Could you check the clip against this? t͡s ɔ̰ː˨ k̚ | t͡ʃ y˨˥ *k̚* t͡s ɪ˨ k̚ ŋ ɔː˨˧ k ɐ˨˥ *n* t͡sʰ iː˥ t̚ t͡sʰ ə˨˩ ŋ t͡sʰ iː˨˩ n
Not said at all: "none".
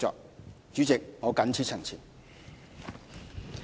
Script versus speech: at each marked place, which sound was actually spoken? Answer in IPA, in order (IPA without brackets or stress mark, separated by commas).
none, n